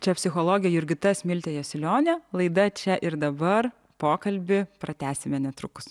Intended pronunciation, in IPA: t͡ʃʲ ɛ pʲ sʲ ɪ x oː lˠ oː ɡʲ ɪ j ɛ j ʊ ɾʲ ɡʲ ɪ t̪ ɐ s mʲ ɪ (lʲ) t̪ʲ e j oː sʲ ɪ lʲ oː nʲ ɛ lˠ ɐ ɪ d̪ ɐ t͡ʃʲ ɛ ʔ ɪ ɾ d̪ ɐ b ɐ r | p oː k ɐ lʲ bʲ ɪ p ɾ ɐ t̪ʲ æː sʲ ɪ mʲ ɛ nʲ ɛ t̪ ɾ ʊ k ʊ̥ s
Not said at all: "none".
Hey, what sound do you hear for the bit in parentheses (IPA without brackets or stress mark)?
lʲ